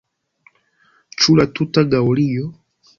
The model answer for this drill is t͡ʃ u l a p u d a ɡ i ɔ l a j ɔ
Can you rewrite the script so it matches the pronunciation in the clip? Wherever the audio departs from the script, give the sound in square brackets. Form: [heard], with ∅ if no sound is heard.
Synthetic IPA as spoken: t͡ʃ u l a [t] u [t] a ɡ [a] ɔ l [i] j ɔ